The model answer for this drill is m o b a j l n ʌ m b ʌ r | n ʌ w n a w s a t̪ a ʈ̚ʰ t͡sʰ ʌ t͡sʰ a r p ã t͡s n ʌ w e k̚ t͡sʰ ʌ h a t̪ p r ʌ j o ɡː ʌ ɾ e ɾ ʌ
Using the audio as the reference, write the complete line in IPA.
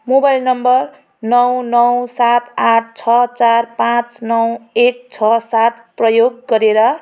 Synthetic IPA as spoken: m o b a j l n ʌ m b ʌ r | n ʌ w n ʌ w s a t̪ a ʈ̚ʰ t͡sʰ ʌ t͡s a r p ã t͡s n ʌ w e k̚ t͡sʰ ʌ s a t̪ p r ʌ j o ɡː ʌ ɾ e ɾ ʌ